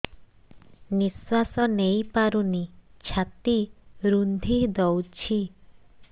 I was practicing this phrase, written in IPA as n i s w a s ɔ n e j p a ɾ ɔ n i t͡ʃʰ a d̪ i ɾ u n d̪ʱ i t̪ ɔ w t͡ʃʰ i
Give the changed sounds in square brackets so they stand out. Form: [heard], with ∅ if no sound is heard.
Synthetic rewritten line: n i s w a s ɔ n e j p a ɾ [u] n i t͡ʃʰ a [t̪] i ɾ u n d̪ʱ i [d̪] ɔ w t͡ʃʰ i